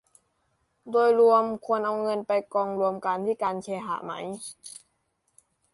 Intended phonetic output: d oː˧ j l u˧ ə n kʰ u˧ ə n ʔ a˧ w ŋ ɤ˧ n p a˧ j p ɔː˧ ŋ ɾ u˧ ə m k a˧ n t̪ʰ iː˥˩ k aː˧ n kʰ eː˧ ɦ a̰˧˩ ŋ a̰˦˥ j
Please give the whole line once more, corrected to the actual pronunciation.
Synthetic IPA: d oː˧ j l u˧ ə m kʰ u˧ ə n ʔ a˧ w ŋ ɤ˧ n p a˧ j k ɔː˧ ŋ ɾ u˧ ə m k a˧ n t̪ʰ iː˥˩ k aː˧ n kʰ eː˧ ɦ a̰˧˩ m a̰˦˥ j